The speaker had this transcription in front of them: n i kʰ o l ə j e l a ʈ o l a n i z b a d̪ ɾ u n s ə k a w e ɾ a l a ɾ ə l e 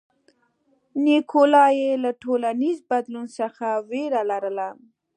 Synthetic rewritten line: n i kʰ o l ɑ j e l a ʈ o l a n i z b a d̪ l u n s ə x a w e ɾ a l a ɾ ə l a